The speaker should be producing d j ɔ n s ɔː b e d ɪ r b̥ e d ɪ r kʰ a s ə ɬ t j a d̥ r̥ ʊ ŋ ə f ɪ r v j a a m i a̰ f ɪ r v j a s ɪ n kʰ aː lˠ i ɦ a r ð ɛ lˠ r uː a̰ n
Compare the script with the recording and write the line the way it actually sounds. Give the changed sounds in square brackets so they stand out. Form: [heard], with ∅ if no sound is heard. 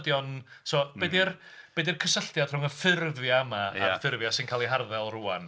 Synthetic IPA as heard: d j ɔ n s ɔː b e d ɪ r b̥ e d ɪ r kʰ [ə] s ə ɬ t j a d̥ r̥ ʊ ŋ ə f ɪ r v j a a m [a] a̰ f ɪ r v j a s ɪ n kʰ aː lˠ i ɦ a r ð ɛ lˠ r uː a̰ n